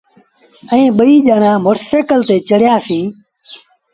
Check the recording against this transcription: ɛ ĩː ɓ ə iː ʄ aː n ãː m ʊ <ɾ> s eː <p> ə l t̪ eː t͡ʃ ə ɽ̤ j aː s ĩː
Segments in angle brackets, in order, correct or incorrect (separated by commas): correct, incorrect